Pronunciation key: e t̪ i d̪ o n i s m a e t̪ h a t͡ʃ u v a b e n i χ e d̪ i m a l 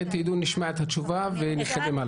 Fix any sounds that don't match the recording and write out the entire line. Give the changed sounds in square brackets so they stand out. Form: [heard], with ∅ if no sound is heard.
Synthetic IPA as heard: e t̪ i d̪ [u] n i [ʃ] m a e t̪ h a t͡ʃ u v a [v] e n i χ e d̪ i m a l